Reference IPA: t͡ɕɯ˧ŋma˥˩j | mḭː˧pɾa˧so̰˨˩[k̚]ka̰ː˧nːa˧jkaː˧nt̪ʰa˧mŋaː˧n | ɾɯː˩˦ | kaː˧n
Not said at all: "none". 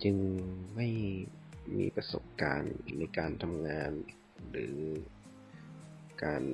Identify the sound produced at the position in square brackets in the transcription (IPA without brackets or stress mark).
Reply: p̚